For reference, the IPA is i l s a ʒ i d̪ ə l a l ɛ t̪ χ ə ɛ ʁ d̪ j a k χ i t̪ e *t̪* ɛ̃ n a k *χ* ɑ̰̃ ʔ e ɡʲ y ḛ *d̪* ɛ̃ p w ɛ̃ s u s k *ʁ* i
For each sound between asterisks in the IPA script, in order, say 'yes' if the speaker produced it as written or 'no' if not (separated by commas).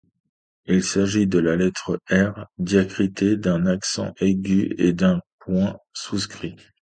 no, no, yes, no